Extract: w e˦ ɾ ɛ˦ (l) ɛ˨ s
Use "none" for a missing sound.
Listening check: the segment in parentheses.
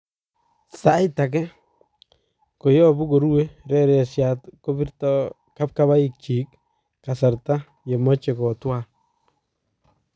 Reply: ɾ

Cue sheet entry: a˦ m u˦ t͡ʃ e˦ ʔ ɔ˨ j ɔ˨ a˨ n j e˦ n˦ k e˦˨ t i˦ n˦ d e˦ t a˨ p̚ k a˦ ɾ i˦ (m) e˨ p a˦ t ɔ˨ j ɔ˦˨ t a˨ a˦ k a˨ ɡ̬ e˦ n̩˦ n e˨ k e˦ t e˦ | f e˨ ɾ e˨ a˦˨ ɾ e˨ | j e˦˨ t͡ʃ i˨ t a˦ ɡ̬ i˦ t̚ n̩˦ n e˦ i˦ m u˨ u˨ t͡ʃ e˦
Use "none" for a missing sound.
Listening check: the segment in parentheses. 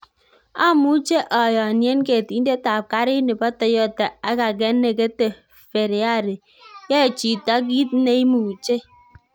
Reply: n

